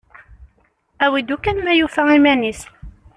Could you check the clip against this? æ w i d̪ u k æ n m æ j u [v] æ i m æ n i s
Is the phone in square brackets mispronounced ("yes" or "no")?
yes